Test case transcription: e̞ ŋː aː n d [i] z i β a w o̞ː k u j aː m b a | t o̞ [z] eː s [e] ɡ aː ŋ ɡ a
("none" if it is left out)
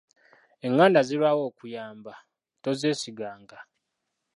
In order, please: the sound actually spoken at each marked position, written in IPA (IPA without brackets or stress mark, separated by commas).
a, z, i